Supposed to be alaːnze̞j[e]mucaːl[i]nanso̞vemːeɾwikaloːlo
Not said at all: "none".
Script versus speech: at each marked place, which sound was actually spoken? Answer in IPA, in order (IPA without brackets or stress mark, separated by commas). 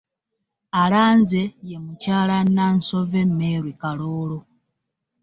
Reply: e, a